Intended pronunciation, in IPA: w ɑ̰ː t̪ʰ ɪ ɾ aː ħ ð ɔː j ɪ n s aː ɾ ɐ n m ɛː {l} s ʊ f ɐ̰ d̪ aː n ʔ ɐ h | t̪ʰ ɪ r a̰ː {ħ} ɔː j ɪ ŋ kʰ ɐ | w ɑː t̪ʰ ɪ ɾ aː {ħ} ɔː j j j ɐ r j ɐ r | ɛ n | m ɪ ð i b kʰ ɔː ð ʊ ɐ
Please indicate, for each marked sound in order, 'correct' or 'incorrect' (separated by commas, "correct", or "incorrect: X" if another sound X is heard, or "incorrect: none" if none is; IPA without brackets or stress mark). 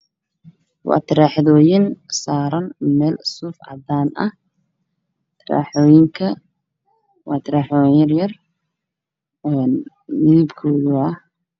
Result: correct, correct, correct